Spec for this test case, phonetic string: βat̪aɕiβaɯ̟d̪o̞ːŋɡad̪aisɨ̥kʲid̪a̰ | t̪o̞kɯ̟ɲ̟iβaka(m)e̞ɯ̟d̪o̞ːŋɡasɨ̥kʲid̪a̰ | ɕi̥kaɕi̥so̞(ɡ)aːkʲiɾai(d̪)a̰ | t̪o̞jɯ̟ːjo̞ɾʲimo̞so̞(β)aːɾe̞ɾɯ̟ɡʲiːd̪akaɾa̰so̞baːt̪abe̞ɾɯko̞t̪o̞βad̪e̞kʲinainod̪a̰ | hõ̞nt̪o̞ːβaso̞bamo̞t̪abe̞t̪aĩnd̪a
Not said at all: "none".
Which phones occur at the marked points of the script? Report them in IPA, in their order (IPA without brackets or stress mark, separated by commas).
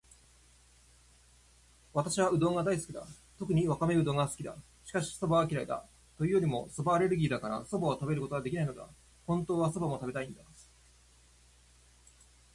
m, b, d̪, b